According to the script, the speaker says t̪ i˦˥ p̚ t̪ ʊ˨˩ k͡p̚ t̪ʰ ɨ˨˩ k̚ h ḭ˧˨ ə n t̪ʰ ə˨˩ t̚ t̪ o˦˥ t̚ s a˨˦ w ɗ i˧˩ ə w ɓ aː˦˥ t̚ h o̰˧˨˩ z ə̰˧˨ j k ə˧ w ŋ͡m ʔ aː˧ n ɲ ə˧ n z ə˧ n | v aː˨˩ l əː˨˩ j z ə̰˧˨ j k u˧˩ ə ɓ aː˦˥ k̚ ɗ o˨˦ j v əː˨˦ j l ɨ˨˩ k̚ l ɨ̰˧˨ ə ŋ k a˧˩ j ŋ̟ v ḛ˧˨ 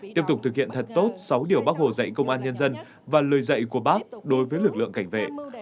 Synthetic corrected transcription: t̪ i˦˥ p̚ t̪ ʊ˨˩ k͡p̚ t̪ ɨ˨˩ k̚ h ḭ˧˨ ə n t̪ʰ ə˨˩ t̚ t̪ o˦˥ t̚ s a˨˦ w ɗ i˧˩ ə w ɓ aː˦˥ k̚ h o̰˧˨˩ z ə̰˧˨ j k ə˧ w ŋ͡m ʔ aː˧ n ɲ ə˧ n z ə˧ n | v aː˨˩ l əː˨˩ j z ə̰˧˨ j k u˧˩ ə ɓ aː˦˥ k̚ ɗ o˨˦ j v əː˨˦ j l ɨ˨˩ k̚ l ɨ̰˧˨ ə ŋ k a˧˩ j ŋ̟ v ḛ˧˨

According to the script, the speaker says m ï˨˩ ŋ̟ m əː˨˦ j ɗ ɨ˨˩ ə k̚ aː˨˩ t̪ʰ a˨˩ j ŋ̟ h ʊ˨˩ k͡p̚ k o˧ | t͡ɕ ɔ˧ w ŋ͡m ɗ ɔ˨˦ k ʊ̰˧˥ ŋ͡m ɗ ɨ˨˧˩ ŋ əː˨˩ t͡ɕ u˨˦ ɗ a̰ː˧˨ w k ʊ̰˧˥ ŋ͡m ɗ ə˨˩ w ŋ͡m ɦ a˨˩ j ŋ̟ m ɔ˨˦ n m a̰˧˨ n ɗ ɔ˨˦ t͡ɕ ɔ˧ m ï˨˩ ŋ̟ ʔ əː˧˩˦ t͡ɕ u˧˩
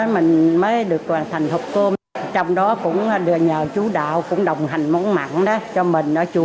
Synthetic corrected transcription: m ï˨˩ ŋ̟ m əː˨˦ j ɗ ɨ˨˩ ə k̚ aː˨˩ t̪ʰ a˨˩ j ŋ̟ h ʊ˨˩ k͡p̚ k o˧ | t͡ɕ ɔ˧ w ŋ͡m ɗ ɔ˨˦ k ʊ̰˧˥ ŋ͡m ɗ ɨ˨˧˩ ɲ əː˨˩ t͡ɕ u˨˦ ɗ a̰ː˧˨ w k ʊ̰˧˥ ŋ͡m ɗ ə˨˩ w ŋ͡m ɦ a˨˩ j ŋ̟ m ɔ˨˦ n m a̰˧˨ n ɗ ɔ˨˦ t͡ɕ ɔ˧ m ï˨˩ ŋ̟ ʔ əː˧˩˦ t͡ɕ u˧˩

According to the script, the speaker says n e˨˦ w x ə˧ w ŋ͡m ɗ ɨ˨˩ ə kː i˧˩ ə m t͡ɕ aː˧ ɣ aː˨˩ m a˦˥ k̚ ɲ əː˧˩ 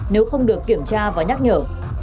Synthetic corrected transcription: n e˨˦ w x ə˧ w ŋ͡m ɗ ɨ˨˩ ə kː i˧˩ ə m t͡ɕ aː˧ v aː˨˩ ɲ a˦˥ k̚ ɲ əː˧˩

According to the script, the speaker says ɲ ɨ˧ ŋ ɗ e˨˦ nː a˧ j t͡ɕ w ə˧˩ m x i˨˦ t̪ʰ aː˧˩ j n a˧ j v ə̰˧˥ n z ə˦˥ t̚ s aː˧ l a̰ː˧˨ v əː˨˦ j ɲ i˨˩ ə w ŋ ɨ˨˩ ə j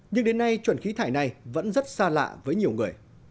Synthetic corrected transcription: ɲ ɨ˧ ŋ ɗ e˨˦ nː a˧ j t͡ɕ w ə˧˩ n x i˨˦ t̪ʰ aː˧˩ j n a˨˩ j v ə̰˧˥ n z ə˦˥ t̚ s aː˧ l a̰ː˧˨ v əː˨˦ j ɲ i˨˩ ə w ŋ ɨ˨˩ ə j

